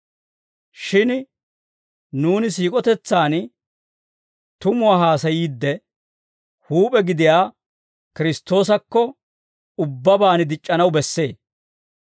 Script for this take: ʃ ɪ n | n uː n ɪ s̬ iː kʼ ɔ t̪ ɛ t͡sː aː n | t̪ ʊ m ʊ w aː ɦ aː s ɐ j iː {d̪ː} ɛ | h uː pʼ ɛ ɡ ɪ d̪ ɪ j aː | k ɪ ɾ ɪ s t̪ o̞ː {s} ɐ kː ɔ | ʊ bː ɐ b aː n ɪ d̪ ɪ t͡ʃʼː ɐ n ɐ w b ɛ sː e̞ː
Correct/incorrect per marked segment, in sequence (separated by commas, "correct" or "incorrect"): correct, correct